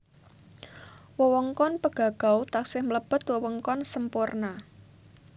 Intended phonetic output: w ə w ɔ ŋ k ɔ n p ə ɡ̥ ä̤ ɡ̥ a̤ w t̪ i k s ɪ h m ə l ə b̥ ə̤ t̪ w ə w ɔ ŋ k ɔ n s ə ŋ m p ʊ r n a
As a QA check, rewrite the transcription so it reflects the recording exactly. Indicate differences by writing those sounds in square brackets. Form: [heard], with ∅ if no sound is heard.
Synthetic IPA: w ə w ɔ ŋ k ɔ n p ə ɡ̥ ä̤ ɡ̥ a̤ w t̪ [a] k s ɪ h m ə l ə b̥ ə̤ t̪ w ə w ɔ ŋ k ɔ n s ə [∅] m p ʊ r n a

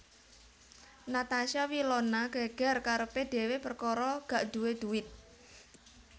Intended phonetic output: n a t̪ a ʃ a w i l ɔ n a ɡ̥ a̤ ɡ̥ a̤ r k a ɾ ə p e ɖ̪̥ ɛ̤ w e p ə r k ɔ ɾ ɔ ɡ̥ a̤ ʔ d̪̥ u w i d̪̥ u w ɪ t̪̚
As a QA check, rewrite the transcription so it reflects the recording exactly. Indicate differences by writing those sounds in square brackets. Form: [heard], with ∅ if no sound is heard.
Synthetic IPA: n a t̪ a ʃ a w i l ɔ n a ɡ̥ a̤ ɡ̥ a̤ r k a ɾ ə p e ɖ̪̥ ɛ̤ w e p ə r k ɔ ɾ ɔ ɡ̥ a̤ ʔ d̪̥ u w [e] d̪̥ u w ɪ t̪̚

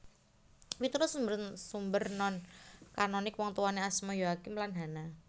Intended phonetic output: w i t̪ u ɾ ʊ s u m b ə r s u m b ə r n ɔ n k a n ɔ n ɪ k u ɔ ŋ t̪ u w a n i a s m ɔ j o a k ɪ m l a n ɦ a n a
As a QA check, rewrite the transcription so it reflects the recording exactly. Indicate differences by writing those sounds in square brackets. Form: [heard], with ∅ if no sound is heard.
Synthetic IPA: w i t̪ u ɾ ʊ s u m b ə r s u m b ə r n ɔ n k a n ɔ n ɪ k [w] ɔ ŋ t̪ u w a n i a s m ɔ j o a k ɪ m l a n ɦ a n a

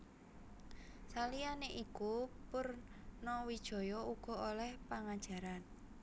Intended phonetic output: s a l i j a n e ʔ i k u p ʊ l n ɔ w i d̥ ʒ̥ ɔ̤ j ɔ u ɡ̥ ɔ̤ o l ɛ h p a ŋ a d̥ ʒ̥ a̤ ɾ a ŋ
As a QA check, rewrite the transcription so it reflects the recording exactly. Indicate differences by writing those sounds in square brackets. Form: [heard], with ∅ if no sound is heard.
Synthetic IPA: s a l i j a n e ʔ i k u p ʊ [r] n ɔ w i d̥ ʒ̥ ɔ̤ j ɔ u ɡ̥ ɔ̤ o l ɛ h p a ŋ a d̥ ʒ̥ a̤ ɾ a [n]

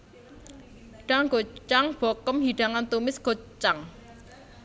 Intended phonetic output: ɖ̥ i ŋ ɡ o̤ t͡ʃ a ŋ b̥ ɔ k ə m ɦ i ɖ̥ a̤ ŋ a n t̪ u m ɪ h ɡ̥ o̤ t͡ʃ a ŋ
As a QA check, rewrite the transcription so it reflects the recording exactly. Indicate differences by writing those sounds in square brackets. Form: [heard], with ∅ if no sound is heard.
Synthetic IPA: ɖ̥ [a] ŋ ɡ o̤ t͡ʃ a ŋ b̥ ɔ k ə m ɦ i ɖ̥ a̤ ŋ a n t̪ u m ɪ [s] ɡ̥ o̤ t͡ʃ a ŋ

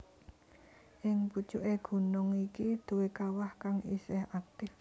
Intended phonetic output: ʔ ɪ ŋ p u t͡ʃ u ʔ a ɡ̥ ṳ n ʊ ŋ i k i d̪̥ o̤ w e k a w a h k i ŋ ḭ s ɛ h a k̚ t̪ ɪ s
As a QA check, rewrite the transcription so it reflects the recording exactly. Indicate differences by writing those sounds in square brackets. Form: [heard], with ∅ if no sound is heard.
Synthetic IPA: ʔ ɪ ŋ p u t͡ʃ u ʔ [e] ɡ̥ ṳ n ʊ ŋ i k i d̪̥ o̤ w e k a w a h k [a] ŋ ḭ s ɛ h a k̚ t̪ ɪ [f]

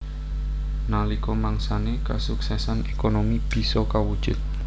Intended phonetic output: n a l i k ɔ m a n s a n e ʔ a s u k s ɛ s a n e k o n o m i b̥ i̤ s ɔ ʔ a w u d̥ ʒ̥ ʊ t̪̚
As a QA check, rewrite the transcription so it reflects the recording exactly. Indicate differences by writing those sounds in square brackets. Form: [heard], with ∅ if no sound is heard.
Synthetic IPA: n a l i k ɔ m a [ŋ] s a n e [k] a s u k s ɛ s a n e k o n o m i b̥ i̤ s ɔ [k] a w u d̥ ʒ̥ ʊ t̪̚

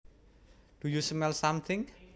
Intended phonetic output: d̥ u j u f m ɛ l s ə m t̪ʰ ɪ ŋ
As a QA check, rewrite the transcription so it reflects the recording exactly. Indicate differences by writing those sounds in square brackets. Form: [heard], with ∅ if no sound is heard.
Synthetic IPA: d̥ u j u [s] m ɛ l s [a] m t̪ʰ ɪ ŋ

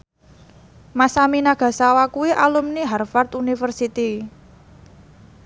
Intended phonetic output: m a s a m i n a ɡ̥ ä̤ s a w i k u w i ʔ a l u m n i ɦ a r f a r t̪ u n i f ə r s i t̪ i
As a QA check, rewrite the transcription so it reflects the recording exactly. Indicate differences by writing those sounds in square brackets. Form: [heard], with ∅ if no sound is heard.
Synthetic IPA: m a s a m i n a ɡ̥ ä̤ s a w [a] k u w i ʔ a l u m n i ɦ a r f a r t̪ u n i f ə r s i t̪ i

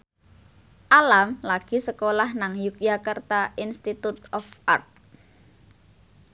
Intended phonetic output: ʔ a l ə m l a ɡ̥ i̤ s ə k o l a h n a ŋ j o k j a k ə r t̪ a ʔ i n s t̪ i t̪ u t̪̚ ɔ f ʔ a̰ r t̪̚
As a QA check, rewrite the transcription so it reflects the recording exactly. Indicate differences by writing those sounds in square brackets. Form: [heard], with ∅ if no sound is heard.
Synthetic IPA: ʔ a l [a] m l a ɡ̥ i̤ s ə k o l a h n a ŋ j [u] k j a k ə r t̪ a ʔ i n s t̪ i t̪ u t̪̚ ɔ f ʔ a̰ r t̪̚

